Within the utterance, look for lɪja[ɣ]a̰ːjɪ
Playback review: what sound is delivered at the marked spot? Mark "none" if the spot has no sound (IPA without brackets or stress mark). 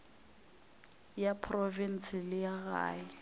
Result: ɣ